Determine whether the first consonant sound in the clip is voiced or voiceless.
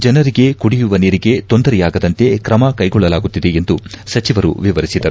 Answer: voiced